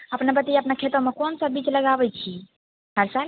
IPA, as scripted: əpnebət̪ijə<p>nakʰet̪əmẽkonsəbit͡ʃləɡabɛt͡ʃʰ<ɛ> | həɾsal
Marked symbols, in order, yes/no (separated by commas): yes, no